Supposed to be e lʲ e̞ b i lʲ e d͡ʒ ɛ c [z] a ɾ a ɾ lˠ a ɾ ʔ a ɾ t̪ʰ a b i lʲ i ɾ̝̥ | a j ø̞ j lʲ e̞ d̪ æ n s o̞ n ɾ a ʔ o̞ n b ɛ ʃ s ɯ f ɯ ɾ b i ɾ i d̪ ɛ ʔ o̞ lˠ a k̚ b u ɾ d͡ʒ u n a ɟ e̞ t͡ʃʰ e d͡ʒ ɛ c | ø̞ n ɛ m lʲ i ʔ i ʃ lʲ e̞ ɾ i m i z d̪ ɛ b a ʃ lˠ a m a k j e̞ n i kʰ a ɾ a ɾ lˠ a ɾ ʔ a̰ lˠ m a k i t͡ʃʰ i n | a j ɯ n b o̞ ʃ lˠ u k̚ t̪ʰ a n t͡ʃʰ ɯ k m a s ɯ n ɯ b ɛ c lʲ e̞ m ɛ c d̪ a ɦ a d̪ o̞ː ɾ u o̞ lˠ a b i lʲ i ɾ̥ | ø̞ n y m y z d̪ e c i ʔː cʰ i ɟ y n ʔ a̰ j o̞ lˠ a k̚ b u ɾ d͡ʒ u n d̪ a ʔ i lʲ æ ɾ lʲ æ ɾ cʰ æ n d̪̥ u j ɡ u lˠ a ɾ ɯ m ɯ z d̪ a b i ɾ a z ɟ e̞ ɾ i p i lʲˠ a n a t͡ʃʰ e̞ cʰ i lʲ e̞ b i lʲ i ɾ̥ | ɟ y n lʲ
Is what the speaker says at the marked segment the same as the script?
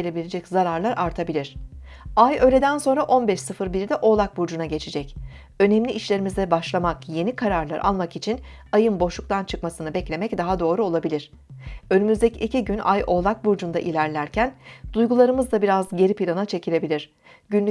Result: yes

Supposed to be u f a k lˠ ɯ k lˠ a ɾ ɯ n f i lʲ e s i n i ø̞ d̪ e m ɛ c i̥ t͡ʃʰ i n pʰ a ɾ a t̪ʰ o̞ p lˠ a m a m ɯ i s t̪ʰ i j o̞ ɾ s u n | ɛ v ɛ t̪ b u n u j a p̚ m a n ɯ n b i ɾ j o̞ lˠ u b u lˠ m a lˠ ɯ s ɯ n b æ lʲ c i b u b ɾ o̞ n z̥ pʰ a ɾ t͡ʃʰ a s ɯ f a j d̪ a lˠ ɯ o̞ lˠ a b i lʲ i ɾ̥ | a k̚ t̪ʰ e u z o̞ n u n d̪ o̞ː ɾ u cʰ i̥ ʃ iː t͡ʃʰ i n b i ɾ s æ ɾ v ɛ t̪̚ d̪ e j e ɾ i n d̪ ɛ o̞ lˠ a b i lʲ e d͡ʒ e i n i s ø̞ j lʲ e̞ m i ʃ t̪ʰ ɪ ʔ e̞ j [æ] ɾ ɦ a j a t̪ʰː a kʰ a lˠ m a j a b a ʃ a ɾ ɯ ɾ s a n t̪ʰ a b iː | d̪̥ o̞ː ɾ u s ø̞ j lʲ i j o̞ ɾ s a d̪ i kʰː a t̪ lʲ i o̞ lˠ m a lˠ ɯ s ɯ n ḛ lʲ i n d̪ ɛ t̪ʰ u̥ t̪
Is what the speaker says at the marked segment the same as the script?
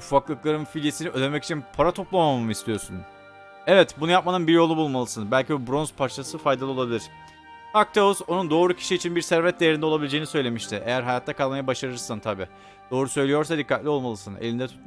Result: yes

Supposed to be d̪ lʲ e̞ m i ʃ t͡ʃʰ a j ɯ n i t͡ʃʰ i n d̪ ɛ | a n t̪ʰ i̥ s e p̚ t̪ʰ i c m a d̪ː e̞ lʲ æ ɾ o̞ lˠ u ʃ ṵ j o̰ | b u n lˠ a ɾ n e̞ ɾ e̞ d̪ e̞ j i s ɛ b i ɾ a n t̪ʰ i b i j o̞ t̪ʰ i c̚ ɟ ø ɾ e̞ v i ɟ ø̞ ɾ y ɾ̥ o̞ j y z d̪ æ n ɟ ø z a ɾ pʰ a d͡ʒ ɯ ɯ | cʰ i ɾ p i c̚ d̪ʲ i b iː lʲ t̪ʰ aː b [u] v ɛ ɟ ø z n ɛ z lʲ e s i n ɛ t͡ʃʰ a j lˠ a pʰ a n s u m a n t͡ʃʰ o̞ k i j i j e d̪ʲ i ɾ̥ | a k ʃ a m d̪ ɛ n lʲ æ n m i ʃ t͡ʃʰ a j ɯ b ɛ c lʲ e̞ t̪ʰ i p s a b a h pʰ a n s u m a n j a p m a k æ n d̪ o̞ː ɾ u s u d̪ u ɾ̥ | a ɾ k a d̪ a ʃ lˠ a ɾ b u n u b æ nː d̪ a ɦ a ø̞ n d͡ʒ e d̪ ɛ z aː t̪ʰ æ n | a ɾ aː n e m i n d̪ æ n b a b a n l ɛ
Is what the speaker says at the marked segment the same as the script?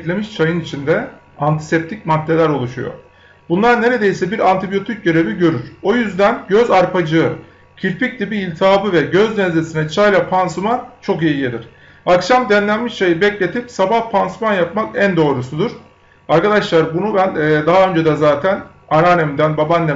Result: no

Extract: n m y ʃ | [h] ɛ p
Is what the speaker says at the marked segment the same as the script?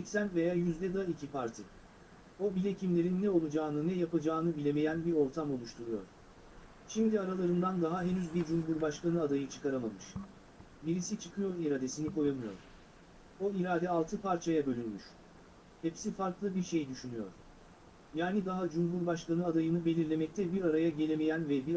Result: yes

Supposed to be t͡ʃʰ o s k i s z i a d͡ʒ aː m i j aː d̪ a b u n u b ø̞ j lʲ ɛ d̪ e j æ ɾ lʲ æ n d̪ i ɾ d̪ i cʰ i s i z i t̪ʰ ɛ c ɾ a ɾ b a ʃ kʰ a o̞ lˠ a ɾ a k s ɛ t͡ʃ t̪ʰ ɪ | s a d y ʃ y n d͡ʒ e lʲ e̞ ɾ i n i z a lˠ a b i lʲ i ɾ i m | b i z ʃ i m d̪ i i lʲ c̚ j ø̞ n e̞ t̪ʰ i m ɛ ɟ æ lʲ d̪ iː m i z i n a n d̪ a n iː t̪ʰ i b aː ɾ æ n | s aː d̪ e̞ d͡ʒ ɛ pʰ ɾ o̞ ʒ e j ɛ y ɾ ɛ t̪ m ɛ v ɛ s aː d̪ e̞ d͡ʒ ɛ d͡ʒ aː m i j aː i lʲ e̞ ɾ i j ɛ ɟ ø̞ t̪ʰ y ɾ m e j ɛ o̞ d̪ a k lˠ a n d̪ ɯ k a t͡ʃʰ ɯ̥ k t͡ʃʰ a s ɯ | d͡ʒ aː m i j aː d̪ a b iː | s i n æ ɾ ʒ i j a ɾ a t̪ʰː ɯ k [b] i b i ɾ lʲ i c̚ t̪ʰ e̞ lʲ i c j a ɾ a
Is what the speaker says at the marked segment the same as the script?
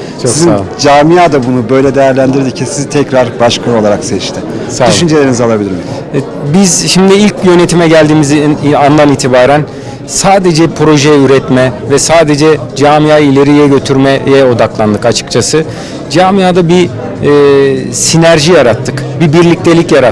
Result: yes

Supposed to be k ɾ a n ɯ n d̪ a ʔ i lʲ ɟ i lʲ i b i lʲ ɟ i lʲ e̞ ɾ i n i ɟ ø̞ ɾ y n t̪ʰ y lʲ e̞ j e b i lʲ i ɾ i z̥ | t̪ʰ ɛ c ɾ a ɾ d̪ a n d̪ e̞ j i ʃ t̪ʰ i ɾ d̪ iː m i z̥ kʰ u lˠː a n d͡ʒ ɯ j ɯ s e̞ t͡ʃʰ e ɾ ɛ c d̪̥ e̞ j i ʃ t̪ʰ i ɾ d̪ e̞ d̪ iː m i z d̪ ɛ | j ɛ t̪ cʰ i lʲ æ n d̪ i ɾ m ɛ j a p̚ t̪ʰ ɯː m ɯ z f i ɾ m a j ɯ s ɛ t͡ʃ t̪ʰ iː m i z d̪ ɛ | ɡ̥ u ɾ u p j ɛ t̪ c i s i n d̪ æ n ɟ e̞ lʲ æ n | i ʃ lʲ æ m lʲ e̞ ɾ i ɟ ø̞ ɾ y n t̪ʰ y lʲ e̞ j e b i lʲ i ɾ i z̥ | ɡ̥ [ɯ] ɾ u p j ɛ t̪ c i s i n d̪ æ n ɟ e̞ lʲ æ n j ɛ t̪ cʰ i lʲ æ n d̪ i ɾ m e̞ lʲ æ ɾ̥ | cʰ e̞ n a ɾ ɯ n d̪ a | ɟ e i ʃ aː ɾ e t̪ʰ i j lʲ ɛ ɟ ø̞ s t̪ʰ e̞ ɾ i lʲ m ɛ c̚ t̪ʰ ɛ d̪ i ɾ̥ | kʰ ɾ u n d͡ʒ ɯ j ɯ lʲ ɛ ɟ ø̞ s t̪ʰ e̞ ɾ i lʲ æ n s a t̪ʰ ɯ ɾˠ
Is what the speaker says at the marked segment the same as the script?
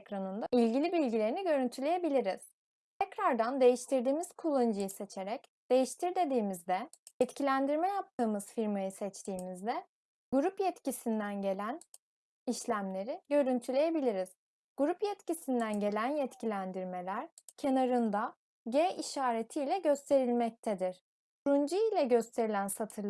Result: no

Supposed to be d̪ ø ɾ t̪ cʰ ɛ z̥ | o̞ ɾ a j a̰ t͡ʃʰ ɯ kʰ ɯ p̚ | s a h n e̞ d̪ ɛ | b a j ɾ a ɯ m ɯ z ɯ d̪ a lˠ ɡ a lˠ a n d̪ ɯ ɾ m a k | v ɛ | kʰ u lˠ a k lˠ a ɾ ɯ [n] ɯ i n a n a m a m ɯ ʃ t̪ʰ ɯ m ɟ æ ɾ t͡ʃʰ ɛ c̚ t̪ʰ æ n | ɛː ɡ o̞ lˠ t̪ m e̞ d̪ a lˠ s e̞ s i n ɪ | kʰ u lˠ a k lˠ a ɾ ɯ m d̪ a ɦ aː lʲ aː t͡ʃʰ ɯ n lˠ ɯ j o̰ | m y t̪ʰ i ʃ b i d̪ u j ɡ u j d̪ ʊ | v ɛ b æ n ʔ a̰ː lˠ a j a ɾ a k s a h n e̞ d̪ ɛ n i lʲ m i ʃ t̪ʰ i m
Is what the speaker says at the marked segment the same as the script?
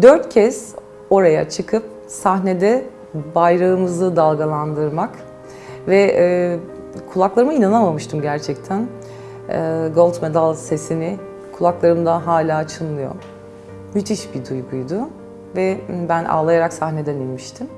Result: no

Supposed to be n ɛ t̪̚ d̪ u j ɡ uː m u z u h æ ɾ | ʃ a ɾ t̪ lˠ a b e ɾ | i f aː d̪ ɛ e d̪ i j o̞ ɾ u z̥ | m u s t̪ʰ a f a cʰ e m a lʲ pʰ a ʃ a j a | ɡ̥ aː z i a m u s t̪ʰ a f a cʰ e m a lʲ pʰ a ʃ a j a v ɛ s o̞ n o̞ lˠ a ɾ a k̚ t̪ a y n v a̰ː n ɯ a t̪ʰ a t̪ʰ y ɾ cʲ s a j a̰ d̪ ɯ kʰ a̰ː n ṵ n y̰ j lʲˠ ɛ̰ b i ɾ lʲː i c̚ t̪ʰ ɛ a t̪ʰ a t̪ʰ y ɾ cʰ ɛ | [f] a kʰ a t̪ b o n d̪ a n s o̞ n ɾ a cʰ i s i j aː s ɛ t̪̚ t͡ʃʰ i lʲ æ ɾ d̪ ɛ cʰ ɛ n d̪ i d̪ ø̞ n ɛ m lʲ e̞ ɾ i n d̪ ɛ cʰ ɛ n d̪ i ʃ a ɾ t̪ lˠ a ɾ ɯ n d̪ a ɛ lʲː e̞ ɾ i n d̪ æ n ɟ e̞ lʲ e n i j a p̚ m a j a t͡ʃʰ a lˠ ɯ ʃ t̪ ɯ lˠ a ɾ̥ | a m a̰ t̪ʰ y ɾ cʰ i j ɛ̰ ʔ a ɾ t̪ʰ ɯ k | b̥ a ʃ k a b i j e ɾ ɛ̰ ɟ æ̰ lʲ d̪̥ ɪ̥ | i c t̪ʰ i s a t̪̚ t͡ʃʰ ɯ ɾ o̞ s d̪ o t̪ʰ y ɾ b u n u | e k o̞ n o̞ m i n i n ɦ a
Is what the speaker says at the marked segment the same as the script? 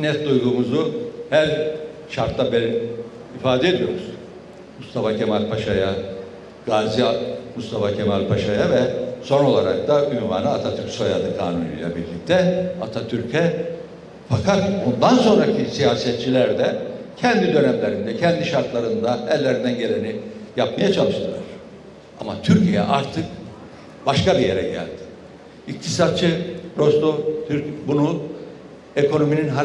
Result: yes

